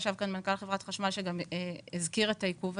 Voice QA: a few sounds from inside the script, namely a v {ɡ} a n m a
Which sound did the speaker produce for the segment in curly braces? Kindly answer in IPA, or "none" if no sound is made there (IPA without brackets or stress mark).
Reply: k